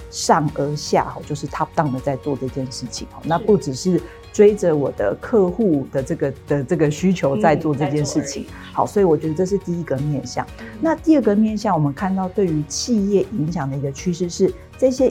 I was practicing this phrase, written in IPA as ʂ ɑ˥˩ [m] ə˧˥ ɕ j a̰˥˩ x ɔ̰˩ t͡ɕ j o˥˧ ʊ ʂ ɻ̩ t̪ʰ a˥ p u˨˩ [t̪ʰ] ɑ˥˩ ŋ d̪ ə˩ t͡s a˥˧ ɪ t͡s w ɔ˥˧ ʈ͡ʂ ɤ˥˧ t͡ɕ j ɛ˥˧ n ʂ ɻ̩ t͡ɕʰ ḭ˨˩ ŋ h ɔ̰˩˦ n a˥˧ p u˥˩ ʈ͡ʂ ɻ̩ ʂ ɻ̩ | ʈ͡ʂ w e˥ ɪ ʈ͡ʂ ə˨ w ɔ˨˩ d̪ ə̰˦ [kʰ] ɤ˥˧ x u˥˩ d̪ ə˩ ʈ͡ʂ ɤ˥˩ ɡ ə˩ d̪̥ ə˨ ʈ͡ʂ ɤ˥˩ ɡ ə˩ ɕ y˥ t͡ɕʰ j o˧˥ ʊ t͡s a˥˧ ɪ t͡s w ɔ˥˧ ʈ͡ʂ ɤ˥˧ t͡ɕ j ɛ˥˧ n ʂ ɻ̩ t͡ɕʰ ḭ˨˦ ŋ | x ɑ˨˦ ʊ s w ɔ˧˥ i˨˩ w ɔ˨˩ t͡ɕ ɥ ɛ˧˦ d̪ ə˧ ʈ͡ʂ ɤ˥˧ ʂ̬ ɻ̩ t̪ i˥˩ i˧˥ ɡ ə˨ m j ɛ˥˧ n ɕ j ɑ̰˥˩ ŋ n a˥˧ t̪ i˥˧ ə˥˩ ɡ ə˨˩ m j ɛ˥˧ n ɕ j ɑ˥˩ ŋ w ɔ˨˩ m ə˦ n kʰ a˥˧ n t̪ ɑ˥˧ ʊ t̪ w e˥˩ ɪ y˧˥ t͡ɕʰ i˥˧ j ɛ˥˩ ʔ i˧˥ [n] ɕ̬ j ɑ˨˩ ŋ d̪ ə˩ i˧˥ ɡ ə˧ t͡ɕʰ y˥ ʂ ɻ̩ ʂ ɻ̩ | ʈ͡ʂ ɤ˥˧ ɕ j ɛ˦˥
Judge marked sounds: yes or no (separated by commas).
no, no, yes, no